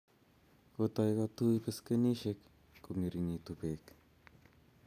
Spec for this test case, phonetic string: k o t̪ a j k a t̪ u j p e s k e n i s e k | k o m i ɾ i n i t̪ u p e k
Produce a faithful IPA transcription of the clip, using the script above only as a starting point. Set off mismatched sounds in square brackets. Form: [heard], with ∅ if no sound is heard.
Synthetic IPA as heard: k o t̪ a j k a t̪ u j p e s k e n i [ʃ] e k | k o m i ɾ i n i t̪ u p e k